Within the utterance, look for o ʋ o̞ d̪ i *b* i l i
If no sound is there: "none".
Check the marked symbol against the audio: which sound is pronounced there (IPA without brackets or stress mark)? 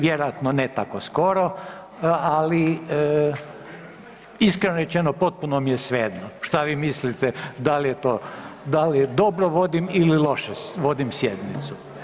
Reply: m